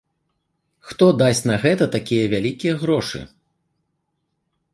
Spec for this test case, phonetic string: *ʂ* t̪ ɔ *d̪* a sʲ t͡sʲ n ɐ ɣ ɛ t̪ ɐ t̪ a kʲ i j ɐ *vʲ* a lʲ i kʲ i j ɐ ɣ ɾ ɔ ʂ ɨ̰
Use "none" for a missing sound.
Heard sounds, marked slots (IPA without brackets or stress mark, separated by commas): x, d̪, vʲ